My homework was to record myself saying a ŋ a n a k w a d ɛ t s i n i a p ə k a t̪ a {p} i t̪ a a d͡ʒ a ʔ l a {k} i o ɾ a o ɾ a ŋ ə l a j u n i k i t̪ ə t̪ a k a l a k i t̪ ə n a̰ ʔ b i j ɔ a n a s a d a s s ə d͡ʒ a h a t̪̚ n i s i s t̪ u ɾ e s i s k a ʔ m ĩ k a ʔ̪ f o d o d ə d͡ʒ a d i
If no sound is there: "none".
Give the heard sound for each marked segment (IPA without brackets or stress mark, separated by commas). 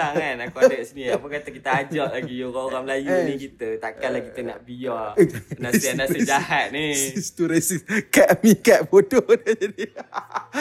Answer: k, ɡ